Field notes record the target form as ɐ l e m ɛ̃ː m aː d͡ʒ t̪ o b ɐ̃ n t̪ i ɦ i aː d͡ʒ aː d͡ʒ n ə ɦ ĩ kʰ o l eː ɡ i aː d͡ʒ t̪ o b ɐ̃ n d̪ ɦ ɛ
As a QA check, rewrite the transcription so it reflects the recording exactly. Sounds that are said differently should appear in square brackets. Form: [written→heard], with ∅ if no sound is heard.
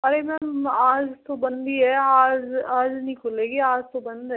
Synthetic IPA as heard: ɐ [l→ɾ] e m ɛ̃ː m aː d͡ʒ t̪ o b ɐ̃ n [t̪→d̪] i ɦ [i→ɛ] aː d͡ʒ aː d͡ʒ n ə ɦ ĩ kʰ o l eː ɡ i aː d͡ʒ t̪ o b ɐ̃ n d̪ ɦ ɛ